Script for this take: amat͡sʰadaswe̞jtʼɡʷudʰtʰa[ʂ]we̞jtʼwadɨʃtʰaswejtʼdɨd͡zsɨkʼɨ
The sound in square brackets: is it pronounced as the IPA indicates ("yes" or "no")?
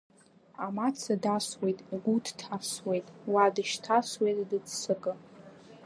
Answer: no